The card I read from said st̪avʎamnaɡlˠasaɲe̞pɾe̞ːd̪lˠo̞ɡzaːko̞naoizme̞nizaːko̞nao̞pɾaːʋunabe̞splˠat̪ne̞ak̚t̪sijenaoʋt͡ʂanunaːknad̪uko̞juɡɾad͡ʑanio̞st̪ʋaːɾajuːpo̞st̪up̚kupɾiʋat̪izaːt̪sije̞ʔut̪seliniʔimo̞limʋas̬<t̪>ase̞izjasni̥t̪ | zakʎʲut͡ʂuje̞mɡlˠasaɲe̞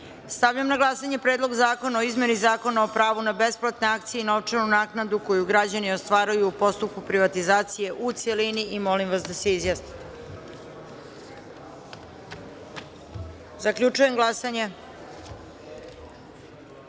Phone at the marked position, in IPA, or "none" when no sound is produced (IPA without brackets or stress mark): d̪